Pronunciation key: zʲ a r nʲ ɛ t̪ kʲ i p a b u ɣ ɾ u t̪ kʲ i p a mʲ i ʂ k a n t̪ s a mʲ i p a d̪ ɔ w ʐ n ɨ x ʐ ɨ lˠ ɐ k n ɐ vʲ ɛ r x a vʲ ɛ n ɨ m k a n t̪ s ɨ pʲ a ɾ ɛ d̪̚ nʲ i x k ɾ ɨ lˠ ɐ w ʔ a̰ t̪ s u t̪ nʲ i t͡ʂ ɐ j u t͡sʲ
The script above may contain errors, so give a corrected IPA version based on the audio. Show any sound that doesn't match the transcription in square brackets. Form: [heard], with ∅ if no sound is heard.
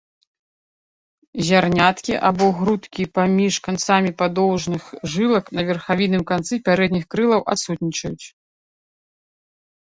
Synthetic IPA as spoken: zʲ a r nʲ [a] t̪ kʲ i [ʔ] a b [ɔ] ɣ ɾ u t̪ kʲ i p a mʲ i ʂ k a n t̪ s a mʲ i p a d̪ ɔ w ʐ n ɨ x ʐ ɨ lˠ ɐ k n ɐ vʲ ɛ r x a vʲ [i] n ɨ m k a n t̪ s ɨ pʲ a ɾ ɛ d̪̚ nʲ i x k ɾ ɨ lˠ ɐ w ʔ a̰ t̪ s u t̪ nʲ i t͡ʂ ɐ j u t͡sʲ